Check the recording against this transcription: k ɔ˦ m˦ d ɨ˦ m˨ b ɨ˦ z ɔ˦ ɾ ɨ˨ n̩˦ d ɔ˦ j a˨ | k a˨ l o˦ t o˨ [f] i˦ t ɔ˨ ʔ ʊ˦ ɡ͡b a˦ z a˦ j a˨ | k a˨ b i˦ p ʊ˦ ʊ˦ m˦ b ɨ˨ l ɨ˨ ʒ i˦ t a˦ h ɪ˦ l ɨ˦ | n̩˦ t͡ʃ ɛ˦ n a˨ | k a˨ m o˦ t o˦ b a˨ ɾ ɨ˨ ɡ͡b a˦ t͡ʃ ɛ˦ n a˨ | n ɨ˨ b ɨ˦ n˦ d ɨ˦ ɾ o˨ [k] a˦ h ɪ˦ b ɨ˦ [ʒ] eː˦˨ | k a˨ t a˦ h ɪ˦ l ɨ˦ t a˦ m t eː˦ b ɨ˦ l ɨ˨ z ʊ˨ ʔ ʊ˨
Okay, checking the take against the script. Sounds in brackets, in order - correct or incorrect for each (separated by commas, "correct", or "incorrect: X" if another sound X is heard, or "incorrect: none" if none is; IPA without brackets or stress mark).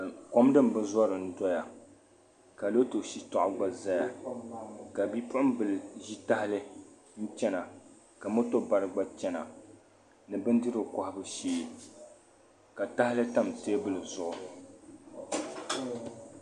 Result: incorrect: ʃ, correct, incorrect: ʃ